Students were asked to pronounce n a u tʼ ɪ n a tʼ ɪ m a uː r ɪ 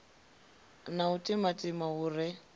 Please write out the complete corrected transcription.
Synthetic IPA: n a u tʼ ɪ m a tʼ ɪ m a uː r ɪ